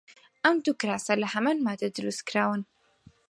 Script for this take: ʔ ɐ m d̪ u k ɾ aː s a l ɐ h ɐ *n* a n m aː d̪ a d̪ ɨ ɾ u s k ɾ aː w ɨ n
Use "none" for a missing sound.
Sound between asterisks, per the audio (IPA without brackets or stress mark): m